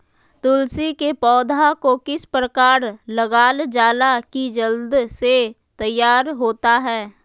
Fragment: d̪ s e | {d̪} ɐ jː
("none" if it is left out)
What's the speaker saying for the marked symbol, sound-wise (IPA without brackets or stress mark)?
t̪